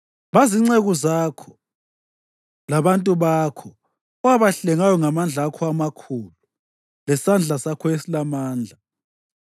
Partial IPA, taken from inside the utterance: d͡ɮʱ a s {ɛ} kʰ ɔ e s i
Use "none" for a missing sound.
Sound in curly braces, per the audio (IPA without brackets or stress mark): a